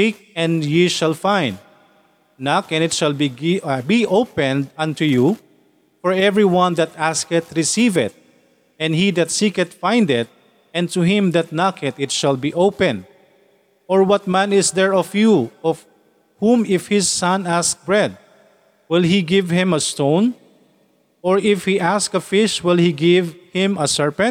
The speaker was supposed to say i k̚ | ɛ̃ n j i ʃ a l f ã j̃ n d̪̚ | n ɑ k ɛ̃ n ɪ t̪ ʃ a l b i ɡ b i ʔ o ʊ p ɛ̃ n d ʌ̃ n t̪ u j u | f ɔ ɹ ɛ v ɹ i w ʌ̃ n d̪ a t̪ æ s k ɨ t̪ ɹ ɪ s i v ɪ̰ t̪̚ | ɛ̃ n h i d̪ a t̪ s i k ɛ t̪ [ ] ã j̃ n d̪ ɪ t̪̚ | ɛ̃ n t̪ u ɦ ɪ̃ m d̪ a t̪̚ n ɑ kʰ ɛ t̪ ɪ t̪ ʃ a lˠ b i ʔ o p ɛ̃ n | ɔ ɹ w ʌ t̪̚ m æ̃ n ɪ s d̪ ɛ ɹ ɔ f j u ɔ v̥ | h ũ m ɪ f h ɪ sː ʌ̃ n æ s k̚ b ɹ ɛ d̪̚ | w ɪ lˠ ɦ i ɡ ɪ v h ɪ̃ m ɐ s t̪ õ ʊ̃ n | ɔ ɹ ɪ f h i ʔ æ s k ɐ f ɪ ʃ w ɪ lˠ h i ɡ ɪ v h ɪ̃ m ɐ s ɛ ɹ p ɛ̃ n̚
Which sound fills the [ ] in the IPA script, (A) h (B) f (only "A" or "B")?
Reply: B